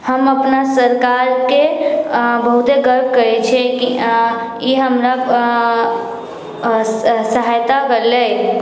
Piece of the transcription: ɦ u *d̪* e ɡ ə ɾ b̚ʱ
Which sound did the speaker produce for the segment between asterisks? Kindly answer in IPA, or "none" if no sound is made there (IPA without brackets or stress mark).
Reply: t̪